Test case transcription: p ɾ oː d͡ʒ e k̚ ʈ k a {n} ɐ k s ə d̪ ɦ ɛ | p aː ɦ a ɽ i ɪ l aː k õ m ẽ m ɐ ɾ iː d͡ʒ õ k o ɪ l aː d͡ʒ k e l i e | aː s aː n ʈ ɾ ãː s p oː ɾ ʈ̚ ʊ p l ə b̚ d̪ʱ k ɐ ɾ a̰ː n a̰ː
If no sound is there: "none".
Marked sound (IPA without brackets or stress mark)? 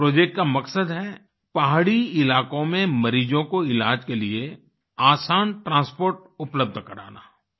m